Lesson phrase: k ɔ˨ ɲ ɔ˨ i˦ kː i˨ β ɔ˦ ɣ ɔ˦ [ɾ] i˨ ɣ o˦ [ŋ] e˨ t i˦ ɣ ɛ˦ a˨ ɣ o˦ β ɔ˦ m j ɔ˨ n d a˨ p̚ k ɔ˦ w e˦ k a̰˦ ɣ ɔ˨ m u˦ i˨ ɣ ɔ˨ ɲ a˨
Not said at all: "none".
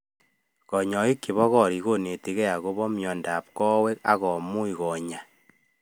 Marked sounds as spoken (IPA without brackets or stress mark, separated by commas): ɾ, n